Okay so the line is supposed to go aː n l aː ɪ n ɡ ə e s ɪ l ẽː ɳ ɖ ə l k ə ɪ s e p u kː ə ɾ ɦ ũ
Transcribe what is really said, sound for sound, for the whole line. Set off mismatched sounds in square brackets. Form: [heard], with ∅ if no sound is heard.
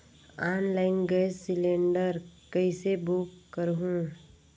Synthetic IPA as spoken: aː n l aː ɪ n ɡ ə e s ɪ l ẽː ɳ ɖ ə [ɾ] k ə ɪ s e [b] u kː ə ɾ ɦ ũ

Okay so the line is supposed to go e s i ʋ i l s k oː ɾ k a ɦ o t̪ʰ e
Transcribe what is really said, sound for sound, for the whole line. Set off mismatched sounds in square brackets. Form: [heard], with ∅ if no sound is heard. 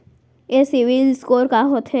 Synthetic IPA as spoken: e s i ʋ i l s k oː ɾ k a ɦ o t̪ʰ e

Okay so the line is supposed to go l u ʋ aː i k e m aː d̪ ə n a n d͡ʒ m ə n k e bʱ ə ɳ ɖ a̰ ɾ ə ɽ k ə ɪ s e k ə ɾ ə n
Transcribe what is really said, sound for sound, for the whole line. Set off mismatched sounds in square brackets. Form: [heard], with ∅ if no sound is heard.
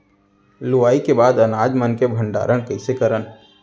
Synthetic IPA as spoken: l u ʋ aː i k e [b] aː d̪ ə n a [∅] d͡ʒ m ə n k e bʱ ə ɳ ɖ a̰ ɾ ə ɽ k ə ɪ s e k ə ɾ ə n

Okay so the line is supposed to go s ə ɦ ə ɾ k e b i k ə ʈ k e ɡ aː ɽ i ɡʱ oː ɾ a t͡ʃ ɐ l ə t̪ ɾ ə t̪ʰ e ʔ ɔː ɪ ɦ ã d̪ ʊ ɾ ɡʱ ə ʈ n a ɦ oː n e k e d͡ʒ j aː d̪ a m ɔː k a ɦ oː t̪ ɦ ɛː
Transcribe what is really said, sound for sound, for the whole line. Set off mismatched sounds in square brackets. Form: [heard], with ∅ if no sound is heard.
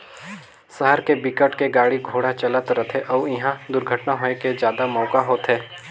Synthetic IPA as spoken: s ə ɦ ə ɾ k e b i k ə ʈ k e ɡ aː ɽ i ɡʱ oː [ɽ] a t͡ʃ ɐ l ə t̪ ɾ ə t̪ʰ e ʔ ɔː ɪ ɦ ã d̪ ʊ ɾ ɡʱ ə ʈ n a ɦ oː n e k e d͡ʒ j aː d̪ a m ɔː k a ɦ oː t̪ ɦ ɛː

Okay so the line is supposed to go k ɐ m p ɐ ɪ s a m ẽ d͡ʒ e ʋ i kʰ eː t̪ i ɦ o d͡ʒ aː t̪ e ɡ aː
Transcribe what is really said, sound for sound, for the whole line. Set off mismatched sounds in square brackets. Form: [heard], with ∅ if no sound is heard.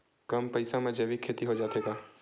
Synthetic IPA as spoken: k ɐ m p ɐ ɪ s a m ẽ d͡ʒ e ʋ i kʰ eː t̪ i ɦ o d͡ʒ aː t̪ e ɡ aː

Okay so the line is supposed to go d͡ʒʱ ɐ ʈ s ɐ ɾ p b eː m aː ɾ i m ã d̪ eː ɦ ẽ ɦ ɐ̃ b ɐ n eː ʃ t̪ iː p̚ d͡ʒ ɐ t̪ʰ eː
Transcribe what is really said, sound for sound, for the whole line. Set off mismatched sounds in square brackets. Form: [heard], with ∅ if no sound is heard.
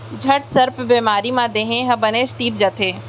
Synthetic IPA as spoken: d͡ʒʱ ɐ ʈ s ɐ ɾ p b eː m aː ɾ i m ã d̪ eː ɦ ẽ ɦ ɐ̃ b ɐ n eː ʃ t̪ iː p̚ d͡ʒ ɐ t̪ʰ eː

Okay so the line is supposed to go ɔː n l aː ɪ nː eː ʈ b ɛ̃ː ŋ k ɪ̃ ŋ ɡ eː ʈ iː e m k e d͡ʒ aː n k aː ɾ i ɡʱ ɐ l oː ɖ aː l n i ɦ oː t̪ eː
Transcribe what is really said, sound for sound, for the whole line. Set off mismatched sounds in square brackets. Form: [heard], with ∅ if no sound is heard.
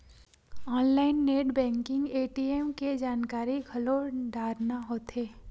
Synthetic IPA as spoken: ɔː n l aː ɪ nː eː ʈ b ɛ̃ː ŋ k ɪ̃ ŋ ɡ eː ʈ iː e m k e d͡ʒ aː n k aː ɾ i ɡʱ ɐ l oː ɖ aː [ɾ] n [a] ɦ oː t̪ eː

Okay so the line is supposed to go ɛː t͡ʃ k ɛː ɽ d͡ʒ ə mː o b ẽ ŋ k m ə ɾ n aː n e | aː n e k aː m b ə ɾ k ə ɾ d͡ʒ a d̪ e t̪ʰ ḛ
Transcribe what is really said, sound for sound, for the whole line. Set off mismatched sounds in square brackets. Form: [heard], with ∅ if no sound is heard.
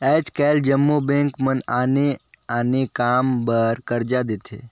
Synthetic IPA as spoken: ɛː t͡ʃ k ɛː [l] d͡ʒ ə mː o b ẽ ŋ k m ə [∅] n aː n e | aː n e k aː m b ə ɾ k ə ɾ d͡ʒ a d̪ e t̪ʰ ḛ

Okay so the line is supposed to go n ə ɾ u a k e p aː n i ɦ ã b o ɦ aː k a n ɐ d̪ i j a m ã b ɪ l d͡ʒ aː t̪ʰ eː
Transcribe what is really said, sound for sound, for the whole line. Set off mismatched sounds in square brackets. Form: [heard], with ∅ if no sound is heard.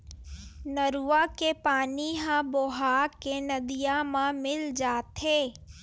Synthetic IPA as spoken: n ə ɾ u a k e p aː n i ɦ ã b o ɦ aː k [e] n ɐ d̪ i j a m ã [m] ɪ l d͡ʒ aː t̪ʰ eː

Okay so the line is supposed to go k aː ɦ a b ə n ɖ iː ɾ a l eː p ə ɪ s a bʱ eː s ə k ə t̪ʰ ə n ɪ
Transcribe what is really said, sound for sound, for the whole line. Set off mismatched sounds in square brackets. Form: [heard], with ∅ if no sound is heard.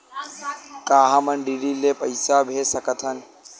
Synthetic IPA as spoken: k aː ɦ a [m] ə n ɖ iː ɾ [i] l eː p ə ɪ s a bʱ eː s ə k ə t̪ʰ ə n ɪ

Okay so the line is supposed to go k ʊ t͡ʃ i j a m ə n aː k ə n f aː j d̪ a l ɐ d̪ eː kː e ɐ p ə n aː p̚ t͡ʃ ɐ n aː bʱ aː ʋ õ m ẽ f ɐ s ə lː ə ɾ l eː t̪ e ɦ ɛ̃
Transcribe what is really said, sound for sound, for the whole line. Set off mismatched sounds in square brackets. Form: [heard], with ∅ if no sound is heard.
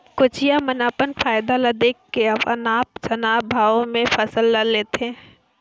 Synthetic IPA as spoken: k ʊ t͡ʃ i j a m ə n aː [p] ə n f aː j d̪ a l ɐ d̪ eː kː e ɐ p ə n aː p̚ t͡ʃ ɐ n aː bʱ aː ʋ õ m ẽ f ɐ s ə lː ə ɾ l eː t̪ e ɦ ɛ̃

